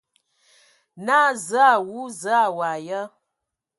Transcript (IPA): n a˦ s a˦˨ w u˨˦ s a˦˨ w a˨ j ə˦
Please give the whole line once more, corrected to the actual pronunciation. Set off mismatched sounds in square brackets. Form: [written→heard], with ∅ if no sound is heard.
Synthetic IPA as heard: n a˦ [s→z] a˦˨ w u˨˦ [s→z] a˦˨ w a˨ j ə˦